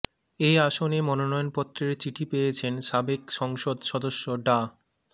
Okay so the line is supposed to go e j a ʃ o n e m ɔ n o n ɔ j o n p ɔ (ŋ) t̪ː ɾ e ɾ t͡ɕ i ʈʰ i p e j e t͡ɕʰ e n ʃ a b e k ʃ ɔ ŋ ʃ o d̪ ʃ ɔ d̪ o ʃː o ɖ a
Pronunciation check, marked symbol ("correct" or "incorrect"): incorrect